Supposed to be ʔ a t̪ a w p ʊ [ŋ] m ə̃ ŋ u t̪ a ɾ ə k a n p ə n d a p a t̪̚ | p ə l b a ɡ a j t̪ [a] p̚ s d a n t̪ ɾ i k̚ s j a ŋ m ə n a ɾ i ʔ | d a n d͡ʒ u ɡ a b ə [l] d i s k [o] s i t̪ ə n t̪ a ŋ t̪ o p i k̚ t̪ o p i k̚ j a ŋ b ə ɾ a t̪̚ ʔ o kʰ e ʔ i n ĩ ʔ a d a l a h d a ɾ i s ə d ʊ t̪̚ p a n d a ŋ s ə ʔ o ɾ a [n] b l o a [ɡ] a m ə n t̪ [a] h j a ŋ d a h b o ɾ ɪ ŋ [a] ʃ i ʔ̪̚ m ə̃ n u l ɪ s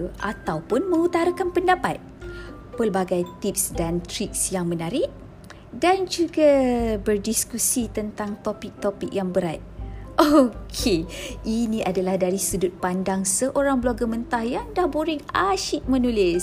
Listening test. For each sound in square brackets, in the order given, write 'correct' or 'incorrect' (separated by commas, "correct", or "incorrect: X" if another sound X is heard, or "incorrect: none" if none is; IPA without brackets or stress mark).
incorrect: n, incorrect: i, incorrect: r, incorrect: u, incorrect: ŋ, correct, correct, correct